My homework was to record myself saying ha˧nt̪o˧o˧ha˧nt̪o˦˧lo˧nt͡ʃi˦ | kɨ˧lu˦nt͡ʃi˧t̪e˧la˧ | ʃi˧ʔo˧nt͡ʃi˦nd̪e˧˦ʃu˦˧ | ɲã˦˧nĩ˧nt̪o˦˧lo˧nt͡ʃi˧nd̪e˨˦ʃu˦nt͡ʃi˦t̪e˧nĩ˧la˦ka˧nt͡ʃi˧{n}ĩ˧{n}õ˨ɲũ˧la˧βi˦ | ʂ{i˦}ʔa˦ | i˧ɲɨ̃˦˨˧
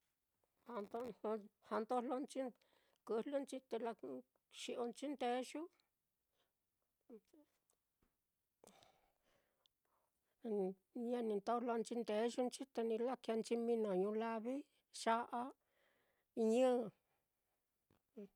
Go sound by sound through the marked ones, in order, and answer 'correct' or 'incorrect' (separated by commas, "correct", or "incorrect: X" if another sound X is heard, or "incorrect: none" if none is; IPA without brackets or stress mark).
incorrect: m, correct, incorrect: a˦